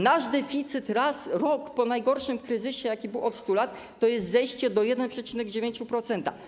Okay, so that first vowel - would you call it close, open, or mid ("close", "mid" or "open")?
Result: open